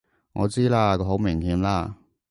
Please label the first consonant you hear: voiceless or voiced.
voiced